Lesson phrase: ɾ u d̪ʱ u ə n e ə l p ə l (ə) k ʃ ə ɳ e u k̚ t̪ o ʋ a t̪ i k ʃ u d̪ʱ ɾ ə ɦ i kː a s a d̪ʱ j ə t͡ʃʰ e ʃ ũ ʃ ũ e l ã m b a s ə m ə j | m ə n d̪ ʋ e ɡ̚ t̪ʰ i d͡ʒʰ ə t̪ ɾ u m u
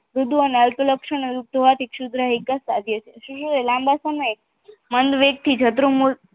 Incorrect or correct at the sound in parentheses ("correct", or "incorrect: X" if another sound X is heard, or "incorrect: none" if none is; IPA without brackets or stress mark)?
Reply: correct